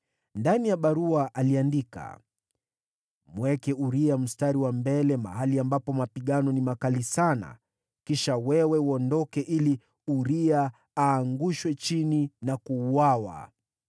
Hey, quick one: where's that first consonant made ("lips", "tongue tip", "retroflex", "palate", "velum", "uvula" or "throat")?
tongue tip